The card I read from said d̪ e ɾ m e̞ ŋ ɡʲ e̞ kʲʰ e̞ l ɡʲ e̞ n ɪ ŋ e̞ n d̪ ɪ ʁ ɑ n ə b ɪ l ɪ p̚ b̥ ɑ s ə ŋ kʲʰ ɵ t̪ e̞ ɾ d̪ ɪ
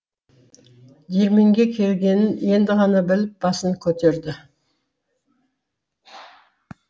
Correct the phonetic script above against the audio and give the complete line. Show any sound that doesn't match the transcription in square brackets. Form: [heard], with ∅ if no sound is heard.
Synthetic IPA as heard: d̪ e ɾ m e̞ ŋ ɡʲ e̞ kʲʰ e̞ l ɡʲ e̞ n ɪ [n] e̞ n d̪ ɪ ʁ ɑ n [ɑ] b ɪ l ɪ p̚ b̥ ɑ s ə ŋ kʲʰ ɵ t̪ e̞ ɾ d̪ ɪ